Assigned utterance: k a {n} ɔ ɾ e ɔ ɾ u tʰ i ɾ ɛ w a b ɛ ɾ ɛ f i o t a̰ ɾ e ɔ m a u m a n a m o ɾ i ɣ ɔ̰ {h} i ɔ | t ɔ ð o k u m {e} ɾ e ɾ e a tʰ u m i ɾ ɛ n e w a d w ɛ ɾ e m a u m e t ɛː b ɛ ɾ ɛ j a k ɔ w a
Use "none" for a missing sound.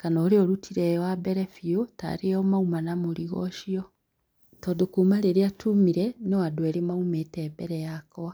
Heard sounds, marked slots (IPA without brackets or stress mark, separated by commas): n, ʃ, a